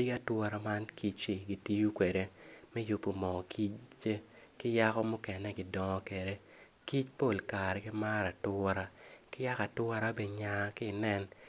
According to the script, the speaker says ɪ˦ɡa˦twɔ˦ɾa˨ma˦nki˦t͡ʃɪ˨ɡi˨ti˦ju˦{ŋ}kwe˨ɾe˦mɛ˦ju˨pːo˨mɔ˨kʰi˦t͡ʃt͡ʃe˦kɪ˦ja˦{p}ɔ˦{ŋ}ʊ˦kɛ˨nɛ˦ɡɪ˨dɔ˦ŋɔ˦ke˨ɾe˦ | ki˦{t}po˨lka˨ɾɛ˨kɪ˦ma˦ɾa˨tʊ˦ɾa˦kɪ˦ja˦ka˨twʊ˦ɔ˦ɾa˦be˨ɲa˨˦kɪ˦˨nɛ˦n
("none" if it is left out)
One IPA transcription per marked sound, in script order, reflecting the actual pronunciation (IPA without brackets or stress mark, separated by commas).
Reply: none, k, m, t͡ʃ